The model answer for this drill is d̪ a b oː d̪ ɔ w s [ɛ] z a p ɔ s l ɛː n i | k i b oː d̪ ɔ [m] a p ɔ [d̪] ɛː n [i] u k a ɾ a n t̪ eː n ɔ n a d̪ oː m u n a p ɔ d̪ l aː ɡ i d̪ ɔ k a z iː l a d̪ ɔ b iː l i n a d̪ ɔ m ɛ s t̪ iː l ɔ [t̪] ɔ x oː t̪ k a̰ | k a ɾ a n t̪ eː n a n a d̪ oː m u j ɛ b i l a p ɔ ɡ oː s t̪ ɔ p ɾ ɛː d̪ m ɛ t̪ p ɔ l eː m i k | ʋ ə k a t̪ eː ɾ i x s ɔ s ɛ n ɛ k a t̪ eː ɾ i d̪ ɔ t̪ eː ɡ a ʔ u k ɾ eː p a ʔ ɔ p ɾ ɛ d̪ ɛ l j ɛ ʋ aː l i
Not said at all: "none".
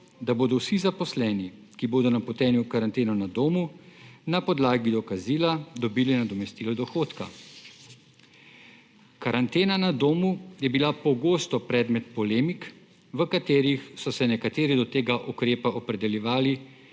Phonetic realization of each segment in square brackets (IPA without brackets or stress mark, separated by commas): i, n, t̪, j, d̪